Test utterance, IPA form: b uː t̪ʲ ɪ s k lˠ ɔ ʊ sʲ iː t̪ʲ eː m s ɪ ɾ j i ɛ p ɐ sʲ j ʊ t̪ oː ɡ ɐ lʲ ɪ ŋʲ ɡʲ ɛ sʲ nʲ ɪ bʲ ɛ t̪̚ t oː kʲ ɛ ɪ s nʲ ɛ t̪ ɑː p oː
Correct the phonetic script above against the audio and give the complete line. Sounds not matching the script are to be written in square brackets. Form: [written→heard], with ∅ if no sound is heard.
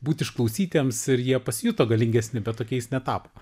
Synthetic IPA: b uː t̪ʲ ɪ [s→ʃ] k lˠ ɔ ʊ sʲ iː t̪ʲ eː m s ɪ ɾ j i ɛ p ɐ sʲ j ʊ t̪ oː ɡ ɐ lʲ ɪ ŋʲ ɡʲ ɛ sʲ nʲ ɪ bʲ ɛ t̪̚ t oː kʲ ɛ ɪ s nʲ ɛ t̪ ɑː p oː